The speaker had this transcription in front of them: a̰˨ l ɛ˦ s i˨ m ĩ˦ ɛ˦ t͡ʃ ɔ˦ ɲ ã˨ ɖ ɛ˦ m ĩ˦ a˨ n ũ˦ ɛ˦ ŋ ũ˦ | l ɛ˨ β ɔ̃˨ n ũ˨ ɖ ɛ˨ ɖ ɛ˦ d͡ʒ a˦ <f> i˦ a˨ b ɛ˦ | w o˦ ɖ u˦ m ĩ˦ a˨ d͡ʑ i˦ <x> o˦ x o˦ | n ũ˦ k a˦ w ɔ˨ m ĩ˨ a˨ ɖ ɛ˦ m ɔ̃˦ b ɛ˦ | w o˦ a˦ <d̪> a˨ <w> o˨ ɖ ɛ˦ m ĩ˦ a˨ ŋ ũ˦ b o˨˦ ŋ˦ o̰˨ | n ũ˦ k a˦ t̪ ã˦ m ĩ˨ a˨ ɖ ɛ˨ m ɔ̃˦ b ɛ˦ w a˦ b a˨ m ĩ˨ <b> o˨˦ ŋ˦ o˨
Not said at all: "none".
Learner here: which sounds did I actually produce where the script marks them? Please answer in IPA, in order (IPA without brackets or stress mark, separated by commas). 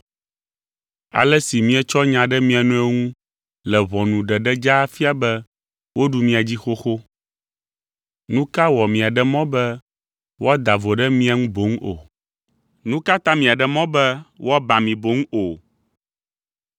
f, x, d̪, v, b